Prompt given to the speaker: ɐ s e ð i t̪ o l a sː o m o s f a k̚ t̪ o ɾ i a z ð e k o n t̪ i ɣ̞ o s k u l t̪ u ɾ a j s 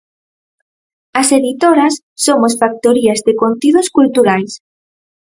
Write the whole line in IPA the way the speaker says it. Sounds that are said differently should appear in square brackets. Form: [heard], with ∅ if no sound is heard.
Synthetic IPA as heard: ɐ s e ð i t̪ o [ɾ] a sː o m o s f a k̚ t̪ o ɾ i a z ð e k o n t̪ i [ð̞] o s k u l t̪ u ɾ a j s

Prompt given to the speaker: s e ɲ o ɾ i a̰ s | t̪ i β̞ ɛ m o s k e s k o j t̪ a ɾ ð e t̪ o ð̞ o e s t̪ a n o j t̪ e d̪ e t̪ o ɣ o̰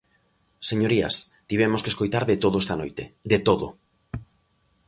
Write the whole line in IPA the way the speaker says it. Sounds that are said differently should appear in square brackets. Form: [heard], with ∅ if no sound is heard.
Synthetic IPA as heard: s e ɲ o ɾ i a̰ s | t̪ i β̞ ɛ m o s k e s k o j t̪ a ɾ ð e t̪ o ð̞ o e s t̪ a n o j t̪ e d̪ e t̪ o [ð] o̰

